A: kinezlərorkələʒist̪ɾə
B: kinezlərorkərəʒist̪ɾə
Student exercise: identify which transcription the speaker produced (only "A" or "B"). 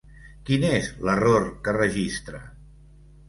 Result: B